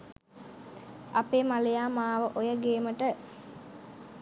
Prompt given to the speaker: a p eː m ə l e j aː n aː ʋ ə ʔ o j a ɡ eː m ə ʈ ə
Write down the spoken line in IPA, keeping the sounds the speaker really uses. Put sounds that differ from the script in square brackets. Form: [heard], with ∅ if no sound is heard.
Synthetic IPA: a p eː m [a] l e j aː [m] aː ʋ ə ʔ o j [ə] ɡ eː m ə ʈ ə